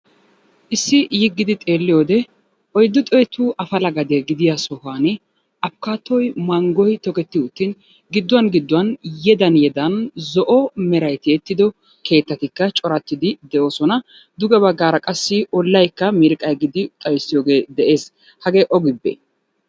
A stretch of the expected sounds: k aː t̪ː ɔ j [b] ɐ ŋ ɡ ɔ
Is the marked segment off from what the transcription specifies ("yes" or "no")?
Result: yes